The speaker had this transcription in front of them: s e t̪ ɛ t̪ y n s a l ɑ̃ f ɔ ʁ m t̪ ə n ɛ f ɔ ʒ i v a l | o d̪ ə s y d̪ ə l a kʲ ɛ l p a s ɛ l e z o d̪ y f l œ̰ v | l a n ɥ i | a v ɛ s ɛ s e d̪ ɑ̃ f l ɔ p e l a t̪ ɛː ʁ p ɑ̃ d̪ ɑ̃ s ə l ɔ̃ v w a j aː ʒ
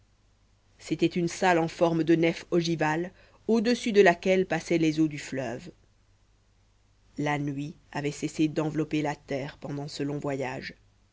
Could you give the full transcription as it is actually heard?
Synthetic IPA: s e t̪ ɛ t̪ y n s a l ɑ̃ f ɔ ʁ m d̪ ə n ɛ f ɔ ʒ i v a l | o d̪ ə s y d̪ ə l a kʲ ɛ l p a s ɛ l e z o d̪ y f l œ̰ v | l a n ɥ i | a v ɛ s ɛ s e d̪ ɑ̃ v l ɔ p e l a t̪ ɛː ʁ p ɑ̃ d̪ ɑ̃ s ə l ɔ̃ v w a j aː ʒ